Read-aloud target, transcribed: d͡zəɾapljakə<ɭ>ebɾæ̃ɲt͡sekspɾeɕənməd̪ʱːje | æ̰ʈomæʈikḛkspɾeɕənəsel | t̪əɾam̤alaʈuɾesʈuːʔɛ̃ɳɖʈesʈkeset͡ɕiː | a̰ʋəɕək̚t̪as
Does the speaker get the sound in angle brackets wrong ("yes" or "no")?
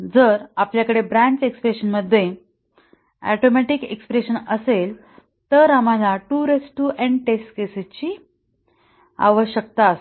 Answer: yes